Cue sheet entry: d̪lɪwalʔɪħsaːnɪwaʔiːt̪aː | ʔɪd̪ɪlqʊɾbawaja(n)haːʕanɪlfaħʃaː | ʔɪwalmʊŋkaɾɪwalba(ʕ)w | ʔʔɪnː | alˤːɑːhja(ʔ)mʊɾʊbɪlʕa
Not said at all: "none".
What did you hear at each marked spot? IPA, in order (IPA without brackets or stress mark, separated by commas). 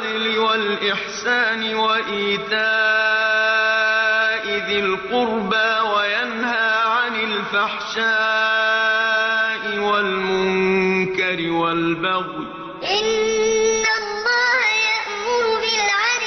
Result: n, ɣ, ʔ